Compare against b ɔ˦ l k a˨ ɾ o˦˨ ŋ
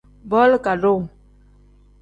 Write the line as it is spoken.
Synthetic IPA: b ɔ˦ l k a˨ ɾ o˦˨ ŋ